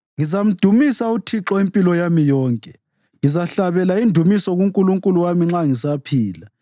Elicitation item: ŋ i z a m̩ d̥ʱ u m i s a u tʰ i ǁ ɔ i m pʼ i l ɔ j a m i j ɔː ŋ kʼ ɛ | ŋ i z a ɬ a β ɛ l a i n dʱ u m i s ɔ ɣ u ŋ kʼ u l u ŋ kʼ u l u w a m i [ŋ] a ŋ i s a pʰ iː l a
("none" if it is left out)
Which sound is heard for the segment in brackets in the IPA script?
ŋ͡ǁ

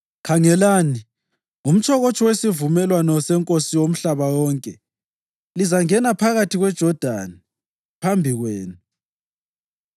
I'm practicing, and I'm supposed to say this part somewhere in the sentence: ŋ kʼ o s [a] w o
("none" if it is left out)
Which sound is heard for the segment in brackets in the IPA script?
i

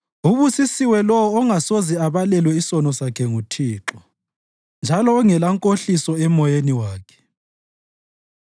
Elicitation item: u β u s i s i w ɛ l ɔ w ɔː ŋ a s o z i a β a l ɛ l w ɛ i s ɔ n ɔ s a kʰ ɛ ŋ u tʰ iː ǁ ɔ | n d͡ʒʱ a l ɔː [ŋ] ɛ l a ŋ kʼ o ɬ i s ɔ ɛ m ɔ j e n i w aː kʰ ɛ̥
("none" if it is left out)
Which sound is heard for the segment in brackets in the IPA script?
ŋ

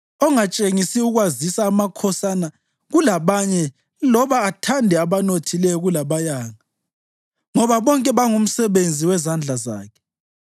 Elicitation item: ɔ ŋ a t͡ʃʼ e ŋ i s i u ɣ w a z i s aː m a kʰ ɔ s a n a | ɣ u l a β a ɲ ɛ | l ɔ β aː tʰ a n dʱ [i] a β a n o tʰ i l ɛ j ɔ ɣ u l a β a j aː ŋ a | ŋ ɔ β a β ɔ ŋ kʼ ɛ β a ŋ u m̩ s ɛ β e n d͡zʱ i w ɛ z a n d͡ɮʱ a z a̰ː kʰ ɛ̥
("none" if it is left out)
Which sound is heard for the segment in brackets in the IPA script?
ɛ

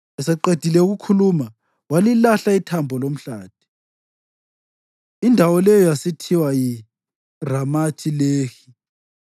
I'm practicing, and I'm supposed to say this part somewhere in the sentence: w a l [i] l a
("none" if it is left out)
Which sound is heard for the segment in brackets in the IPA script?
i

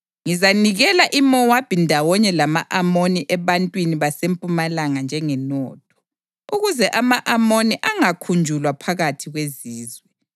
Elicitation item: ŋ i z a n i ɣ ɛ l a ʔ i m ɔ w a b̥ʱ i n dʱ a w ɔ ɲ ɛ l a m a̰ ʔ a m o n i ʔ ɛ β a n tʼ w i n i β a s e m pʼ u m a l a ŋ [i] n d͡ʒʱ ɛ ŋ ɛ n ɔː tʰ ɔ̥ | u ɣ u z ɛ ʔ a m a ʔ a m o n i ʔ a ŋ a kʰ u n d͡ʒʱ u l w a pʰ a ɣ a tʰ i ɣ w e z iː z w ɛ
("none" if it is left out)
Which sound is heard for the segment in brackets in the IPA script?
a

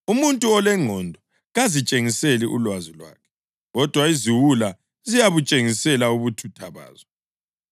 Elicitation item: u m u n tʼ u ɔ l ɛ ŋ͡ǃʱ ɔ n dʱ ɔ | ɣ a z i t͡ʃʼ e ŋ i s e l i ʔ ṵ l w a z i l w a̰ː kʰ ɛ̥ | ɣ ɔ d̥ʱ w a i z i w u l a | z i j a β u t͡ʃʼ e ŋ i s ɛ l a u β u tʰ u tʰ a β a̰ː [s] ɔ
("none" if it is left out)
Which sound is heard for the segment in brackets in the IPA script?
z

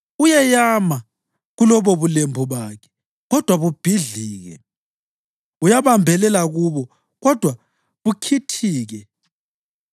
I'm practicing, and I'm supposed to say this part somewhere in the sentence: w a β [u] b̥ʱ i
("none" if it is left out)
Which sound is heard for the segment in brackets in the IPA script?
u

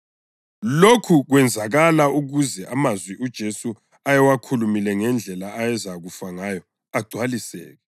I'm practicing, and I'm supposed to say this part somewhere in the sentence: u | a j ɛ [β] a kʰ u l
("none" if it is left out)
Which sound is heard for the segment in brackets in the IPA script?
w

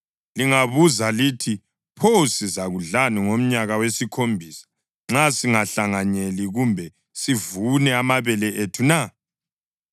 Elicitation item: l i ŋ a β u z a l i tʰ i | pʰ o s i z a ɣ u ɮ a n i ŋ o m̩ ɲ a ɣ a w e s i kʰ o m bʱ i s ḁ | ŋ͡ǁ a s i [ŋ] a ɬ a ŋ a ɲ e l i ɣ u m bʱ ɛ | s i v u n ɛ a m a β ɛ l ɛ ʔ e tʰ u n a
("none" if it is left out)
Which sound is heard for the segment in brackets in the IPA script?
ŋ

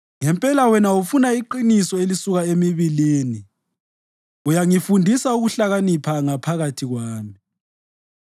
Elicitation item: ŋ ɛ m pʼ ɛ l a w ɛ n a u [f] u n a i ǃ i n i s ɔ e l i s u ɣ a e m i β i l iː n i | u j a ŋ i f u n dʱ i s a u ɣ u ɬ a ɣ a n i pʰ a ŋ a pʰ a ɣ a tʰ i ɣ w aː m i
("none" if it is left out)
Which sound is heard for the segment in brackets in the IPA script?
f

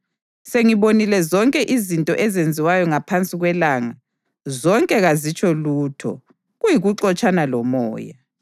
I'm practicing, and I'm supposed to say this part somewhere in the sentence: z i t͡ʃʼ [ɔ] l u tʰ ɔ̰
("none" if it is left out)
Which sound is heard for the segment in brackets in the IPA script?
ɔ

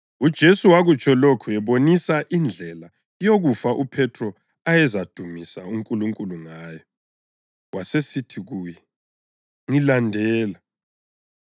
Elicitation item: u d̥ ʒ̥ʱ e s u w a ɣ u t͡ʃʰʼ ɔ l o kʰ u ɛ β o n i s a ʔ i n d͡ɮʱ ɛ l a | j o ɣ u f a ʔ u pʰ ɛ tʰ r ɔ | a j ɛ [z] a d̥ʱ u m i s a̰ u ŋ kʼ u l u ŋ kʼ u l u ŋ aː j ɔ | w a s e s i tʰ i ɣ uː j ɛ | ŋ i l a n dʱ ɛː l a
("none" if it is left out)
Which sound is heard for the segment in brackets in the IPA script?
z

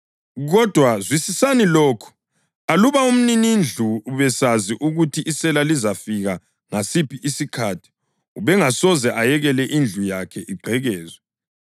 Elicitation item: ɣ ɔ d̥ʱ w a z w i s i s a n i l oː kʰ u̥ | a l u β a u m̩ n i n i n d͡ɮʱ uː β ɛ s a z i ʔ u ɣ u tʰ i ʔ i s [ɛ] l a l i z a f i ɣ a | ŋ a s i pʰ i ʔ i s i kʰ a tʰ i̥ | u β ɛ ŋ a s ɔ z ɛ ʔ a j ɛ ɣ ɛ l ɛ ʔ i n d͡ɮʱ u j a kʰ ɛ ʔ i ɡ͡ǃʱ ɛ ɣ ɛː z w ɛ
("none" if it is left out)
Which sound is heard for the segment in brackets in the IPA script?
ɛ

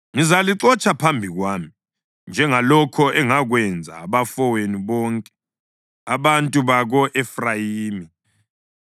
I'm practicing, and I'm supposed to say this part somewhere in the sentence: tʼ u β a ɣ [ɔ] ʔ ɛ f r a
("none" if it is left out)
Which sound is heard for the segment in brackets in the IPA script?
ɔ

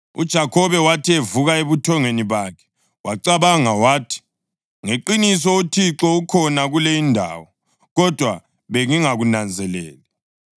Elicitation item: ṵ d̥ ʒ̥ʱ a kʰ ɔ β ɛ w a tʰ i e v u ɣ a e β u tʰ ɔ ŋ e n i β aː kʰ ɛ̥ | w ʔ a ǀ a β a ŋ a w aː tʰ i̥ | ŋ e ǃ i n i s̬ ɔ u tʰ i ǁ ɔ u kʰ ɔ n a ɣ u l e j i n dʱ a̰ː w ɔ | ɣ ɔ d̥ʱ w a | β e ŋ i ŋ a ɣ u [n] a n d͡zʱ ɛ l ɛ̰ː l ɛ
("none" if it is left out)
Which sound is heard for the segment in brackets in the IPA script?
n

